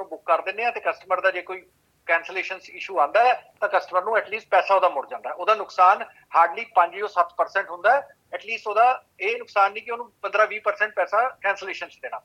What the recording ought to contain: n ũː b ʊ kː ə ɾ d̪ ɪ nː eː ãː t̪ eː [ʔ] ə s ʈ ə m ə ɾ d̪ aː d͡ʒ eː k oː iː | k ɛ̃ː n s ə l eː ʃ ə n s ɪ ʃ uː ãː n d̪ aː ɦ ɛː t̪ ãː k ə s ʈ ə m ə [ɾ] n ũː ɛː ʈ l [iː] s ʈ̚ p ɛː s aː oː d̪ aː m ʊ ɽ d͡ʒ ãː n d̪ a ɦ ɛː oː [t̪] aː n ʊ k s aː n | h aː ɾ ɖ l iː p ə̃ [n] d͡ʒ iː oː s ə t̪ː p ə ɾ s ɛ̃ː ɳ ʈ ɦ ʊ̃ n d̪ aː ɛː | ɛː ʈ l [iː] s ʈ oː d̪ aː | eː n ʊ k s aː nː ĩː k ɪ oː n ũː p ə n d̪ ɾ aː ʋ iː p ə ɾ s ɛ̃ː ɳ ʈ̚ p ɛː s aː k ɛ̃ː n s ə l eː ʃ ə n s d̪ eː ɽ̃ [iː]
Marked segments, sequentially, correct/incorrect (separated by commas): incorrect, correct, correct, incorrect, incorrect, correct, incorrect